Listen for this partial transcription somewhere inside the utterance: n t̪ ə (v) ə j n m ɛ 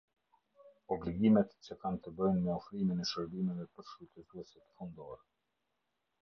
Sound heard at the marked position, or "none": b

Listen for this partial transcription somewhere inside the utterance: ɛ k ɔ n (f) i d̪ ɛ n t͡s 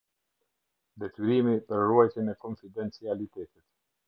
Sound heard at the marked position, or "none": f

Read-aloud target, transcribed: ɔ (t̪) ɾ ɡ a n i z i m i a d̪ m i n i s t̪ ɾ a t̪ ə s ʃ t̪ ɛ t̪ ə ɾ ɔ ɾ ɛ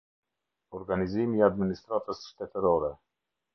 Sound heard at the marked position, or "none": none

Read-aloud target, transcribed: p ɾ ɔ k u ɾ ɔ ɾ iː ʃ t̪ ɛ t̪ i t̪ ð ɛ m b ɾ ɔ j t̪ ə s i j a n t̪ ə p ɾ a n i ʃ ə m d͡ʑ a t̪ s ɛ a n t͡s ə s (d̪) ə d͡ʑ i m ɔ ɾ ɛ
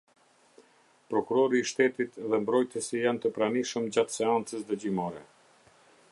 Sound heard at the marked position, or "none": d̪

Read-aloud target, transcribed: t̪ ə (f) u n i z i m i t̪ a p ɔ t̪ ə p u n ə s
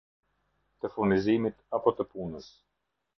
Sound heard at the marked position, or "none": f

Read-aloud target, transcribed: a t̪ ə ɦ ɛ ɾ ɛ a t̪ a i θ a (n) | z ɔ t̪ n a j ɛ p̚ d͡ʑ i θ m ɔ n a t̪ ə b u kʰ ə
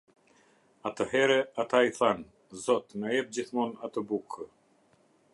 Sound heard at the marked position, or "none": n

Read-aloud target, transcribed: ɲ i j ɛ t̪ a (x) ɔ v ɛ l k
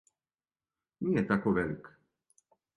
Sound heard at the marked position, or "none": k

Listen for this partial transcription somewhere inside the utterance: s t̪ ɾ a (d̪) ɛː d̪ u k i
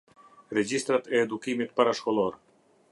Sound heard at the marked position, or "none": t̪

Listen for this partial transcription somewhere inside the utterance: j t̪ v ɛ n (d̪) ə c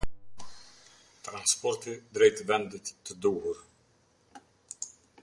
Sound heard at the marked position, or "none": d̪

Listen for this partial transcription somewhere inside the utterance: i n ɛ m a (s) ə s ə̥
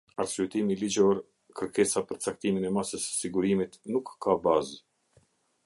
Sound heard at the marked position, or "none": s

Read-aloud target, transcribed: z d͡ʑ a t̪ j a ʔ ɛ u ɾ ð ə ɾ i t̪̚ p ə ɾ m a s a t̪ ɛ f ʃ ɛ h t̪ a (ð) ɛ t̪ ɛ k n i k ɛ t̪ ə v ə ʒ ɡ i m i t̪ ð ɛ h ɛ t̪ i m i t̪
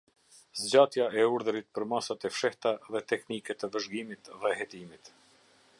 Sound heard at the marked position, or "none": ð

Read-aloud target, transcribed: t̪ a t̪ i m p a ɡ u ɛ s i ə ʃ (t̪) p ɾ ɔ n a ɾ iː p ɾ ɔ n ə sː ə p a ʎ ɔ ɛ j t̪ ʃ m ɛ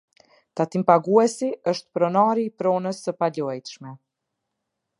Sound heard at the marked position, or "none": t̪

